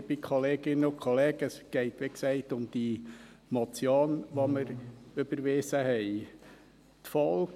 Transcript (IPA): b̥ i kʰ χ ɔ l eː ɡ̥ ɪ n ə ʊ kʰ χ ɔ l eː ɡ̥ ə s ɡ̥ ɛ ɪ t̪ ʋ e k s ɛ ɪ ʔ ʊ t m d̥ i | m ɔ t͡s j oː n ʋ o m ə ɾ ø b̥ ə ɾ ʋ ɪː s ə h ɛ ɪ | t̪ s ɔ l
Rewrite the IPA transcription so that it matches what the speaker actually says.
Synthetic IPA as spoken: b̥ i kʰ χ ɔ l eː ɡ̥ ɪ n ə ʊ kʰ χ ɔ l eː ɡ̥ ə s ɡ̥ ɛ ɪ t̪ ʋ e k s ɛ ɪ t ʊ m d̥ i | m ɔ t͡s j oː n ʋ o m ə ɾ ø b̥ ə ɾ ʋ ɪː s ə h ɛ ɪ | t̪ f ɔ l

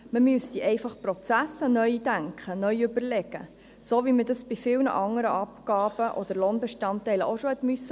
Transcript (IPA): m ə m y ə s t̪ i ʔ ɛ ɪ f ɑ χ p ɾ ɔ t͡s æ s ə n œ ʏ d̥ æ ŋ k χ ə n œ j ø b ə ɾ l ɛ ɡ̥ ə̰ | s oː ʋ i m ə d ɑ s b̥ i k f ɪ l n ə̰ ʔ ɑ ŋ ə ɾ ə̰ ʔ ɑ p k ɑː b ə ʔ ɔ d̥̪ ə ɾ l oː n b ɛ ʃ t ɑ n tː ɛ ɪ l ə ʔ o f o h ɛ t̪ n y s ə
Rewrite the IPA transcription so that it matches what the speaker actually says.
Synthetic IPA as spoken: m ə m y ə s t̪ i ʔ ɛ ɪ f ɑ χ p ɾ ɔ t͡s æ s ə n œ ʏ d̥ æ ŋ k χ ə n œ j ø b ə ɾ l ɛ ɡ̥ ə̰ | s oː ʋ i m ə d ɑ s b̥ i f ɪ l n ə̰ ʔ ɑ ŋ ə ɾ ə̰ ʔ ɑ p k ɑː b ə ʔ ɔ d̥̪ ə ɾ l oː n b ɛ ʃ t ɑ n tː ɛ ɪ l ə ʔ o ʃ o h ɛ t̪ m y s ə

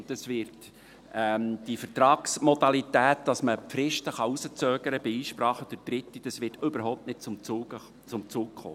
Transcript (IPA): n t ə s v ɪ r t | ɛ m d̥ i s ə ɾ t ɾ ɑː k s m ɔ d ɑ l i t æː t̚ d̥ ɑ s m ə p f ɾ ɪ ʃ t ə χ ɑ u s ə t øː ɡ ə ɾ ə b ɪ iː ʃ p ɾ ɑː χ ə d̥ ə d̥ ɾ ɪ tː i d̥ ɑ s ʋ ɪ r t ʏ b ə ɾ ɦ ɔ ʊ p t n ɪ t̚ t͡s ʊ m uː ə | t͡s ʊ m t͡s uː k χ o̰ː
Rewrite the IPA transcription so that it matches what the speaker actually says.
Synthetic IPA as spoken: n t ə s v ɪ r t | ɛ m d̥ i f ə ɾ t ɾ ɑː k s m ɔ d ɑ l i t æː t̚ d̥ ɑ s m ə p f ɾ ɪ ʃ t ə χ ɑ u s ə t͡s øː ɡ ə ɾ ə b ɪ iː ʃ p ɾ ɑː χ ə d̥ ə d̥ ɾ ɪ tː i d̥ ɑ s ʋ ɪ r t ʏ b ə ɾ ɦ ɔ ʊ p t n ɪ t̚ t͡s ʊ m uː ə | t͡s ʊ m t͡s uː k χ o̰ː

